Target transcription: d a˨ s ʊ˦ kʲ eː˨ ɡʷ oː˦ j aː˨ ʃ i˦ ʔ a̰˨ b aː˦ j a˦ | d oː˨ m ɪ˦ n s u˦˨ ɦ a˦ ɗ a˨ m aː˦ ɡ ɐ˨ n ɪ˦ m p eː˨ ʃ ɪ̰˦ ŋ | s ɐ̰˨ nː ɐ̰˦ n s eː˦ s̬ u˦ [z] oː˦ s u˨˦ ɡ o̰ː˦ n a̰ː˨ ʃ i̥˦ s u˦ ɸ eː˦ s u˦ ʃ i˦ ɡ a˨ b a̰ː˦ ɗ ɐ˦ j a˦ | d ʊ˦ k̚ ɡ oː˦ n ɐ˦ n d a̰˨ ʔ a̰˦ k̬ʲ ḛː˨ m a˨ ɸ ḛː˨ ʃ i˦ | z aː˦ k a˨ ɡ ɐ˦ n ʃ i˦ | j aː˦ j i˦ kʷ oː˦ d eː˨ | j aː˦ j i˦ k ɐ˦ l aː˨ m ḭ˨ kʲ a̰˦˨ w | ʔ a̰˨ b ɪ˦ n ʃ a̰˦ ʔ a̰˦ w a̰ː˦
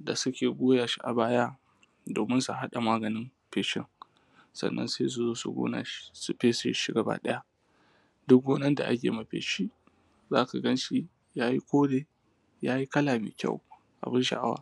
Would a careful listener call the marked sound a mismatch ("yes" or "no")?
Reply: no